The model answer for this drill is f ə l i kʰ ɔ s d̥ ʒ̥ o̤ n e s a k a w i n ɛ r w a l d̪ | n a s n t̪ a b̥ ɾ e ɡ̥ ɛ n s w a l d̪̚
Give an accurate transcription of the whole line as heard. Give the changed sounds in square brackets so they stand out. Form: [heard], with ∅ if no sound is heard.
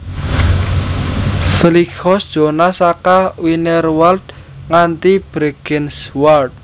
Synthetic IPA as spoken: f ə l i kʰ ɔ s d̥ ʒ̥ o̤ n [a] s a k a w i n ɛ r w a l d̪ | [ŋ] a [∅] n t̪ [i] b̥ ɾ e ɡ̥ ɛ n s w a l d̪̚